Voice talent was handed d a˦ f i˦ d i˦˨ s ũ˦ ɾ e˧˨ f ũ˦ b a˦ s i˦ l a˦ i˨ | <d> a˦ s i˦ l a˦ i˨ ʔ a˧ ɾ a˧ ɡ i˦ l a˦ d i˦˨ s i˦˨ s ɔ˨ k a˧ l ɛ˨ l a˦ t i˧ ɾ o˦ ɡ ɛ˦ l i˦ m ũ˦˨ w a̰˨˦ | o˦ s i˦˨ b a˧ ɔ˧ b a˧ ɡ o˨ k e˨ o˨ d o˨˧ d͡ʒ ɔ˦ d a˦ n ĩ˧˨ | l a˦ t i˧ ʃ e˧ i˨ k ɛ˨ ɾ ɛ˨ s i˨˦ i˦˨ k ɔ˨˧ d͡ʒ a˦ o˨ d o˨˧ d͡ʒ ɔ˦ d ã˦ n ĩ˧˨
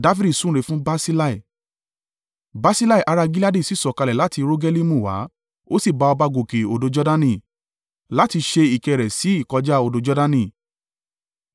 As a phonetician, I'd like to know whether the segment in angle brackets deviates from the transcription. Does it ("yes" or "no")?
yes